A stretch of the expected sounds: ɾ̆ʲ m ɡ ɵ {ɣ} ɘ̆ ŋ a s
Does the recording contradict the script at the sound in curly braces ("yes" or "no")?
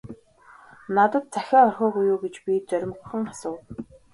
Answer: yes